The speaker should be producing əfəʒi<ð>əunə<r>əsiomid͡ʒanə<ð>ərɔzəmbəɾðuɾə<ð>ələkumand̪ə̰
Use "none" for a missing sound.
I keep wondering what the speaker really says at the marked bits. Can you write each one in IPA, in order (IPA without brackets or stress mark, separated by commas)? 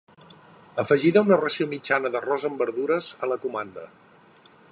ð, r, ð, z